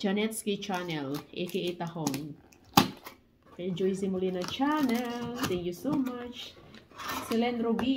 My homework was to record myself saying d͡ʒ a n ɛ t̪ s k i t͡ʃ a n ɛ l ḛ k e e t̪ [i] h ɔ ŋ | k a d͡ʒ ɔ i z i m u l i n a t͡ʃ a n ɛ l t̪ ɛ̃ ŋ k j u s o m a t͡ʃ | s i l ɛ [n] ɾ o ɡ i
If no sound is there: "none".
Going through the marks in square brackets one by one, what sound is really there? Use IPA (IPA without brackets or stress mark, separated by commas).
a, n